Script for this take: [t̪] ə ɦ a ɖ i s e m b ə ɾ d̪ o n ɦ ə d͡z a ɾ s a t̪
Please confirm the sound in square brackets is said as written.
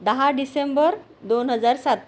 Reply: no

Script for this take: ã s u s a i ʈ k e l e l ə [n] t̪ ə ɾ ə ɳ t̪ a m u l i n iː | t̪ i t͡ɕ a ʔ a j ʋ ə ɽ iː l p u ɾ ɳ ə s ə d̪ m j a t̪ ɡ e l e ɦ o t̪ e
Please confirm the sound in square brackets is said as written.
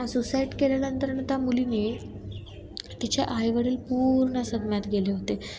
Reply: yes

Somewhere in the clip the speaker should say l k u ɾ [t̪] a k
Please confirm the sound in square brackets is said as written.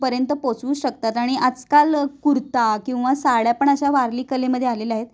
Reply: yes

